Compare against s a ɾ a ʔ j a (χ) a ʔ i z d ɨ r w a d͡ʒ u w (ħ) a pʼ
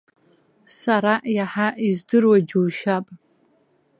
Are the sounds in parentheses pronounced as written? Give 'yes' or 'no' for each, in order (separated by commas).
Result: no, no